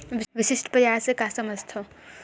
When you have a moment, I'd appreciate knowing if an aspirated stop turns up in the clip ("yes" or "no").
yes